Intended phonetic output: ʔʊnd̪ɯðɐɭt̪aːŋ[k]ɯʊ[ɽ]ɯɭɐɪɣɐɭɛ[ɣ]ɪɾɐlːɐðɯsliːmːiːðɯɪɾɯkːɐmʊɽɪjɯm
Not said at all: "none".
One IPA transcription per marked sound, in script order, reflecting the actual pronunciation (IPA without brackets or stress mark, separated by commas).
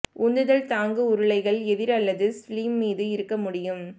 ɡ, ɾ, ð